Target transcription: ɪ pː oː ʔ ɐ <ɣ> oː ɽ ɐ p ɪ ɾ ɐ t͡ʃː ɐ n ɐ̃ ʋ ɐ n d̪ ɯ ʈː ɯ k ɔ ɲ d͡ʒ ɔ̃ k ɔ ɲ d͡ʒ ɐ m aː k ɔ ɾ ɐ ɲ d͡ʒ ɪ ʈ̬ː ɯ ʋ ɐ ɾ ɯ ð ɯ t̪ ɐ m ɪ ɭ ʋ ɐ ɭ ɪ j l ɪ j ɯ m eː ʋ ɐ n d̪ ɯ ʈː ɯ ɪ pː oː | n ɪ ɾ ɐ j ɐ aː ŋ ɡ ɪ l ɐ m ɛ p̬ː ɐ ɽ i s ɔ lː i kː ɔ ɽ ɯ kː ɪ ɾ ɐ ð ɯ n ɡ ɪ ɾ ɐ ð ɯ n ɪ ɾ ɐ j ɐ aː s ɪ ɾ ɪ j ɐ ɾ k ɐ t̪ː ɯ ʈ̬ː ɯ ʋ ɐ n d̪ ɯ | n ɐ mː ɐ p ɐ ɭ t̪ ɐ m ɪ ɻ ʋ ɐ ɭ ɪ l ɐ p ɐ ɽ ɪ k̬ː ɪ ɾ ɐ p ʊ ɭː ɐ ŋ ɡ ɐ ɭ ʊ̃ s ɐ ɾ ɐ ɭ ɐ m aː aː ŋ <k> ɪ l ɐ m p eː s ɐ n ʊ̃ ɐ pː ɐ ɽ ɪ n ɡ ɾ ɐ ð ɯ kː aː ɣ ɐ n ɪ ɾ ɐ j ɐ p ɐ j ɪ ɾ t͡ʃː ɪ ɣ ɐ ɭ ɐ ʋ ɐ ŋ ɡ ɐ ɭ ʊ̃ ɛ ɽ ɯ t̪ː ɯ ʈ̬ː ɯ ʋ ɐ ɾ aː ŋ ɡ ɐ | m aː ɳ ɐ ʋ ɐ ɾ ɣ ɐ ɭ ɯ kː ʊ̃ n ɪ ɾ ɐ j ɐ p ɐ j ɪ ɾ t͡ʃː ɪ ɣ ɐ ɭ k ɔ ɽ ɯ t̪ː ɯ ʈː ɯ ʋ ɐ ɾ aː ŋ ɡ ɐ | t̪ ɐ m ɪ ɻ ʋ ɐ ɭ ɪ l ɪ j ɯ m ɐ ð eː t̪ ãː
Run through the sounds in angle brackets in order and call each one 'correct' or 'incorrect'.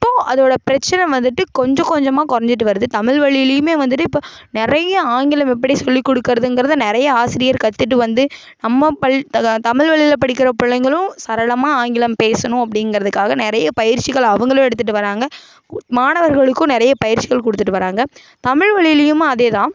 incorrect, incorrect

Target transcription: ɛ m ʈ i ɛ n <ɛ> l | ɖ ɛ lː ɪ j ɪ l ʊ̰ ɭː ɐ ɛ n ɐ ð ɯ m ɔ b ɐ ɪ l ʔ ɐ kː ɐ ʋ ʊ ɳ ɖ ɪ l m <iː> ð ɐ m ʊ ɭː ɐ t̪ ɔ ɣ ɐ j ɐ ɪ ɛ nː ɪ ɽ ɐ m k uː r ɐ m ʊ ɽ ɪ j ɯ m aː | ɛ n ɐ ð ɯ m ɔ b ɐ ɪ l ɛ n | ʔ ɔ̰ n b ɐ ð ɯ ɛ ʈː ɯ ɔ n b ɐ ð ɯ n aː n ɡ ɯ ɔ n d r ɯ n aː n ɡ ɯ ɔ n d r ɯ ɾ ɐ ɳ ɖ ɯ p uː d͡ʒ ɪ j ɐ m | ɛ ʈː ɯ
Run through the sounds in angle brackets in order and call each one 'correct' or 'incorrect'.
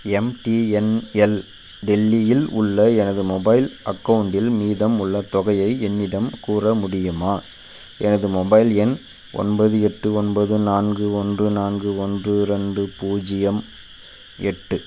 correct, correct

